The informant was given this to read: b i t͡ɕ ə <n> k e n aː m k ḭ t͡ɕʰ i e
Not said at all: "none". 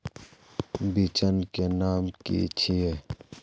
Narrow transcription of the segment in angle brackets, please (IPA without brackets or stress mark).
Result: n